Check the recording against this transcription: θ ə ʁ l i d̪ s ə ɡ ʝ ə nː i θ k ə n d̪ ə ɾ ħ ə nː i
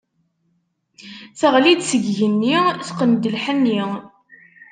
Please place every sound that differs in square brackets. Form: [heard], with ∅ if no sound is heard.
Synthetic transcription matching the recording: θ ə ʁ l i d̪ s ə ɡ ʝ ə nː i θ [q] ə n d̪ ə [l] ħ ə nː i